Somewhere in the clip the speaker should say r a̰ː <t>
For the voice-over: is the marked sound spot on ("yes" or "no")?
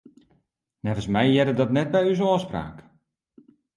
no